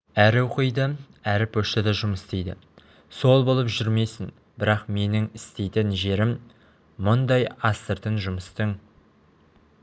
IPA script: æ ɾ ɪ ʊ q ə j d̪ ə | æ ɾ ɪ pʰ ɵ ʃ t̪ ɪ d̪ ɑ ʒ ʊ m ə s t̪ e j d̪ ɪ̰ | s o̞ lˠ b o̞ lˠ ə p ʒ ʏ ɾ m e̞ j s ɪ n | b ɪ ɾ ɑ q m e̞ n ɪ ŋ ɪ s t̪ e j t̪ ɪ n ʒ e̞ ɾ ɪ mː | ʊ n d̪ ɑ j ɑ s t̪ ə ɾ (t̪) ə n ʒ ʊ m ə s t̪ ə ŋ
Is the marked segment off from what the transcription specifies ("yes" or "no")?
no